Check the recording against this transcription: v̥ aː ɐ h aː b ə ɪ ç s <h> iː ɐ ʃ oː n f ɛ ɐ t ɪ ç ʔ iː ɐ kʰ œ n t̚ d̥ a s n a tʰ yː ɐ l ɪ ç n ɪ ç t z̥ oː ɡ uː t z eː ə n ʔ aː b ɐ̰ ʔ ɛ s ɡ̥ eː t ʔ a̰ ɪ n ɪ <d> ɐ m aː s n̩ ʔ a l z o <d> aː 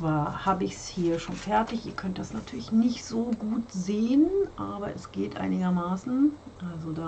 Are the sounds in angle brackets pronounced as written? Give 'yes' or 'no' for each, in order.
yes, no, yes

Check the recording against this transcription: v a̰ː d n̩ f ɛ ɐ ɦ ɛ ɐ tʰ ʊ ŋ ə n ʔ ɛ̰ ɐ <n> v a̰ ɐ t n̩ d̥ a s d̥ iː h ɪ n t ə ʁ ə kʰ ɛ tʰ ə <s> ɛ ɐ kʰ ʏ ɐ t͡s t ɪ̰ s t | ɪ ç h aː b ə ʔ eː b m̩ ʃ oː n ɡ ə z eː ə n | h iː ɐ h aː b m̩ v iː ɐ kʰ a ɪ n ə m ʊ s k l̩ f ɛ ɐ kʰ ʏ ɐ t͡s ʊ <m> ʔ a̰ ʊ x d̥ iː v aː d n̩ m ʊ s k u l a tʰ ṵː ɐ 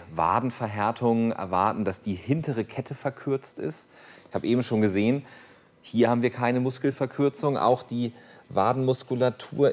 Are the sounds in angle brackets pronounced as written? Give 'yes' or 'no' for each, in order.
no, no, no

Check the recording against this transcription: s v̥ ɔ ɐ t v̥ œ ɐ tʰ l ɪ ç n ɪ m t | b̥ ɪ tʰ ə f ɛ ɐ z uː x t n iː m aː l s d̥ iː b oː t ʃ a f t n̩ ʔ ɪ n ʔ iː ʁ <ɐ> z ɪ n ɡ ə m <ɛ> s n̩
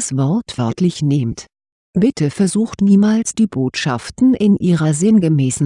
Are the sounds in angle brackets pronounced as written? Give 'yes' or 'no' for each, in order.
yes, no

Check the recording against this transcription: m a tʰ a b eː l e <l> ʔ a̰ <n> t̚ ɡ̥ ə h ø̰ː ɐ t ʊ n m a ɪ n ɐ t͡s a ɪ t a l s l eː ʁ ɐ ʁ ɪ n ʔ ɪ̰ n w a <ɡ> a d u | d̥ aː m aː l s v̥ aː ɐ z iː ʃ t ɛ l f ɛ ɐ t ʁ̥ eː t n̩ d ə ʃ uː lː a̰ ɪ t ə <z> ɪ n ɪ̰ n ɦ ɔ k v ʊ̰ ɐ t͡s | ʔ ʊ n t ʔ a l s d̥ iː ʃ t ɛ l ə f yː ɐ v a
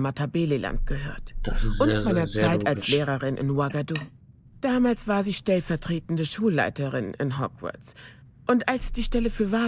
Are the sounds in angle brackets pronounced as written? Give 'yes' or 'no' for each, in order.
yes, yes, yes, no

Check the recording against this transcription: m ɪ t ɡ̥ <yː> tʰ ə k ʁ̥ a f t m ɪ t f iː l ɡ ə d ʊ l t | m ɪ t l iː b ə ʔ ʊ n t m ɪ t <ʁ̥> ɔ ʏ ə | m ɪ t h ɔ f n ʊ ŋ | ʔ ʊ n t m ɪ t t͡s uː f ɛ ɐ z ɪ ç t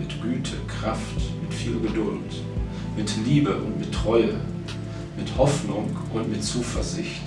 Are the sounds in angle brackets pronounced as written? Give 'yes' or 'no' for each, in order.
yes, yes

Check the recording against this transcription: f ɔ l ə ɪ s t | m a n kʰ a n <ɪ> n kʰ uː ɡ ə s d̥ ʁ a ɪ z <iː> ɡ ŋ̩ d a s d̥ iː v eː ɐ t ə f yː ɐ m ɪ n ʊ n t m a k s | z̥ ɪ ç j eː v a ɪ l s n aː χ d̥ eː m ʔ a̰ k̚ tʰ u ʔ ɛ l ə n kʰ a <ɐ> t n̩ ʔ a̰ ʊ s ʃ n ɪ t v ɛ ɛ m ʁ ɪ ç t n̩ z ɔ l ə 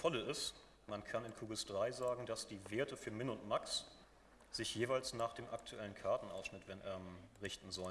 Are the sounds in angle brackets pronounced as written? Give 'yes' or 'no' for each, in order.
yes, no, yes

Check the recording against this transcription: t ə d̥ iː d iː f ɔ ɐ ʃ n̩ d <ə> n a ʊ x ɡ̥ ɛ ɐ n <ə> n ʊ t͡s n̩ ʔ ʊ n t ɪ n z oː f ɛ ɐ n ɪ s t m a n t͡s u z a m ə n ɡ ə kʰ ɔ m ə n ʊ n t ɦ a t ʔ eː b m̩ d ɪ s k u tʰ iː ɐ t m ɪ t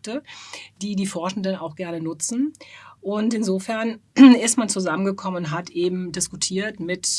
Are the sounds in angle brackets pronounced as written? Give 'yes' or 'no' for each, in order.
yes, yes

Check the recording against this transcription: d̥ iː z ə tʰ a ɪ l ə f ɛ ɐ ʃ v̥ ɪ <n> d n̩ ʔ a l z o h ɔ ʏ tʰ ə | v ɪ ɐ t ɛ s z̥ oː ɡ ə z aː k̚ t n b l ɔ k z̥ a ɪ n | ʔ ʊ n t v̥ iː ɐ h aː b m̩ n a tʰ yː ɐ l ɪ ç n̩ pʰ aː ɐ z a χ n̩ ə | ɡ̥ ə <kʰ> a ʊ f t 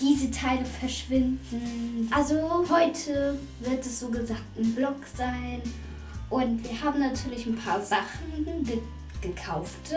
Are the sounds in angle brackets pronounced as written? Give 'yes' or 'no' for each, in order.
yes, yes

